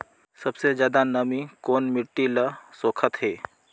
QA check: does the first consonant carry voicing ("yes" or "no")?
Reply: no